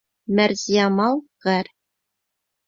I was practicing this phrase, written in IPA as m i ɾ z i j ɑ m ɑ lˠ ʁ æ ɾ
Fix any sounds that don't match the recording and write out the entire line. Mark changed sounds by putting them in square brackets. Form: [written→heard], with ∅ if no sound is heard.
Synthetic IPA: m [i→æ] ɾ z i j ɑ m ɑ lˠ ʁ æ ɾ